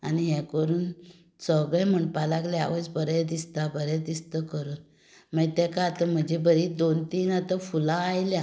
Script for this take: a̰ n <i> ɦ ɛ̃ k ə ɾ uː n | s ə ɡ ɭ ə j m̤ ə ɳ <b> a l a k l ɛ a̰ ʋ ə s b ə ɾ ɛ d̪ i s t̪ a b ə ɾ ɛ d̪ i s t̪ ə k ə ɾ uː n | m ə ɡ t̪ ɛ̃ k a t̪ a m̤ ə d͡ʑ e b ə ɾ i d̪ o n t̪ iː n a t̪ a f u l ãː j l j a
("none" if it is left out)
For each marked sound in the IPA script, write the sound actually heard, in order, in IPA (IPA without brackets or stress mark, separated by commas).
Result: i, p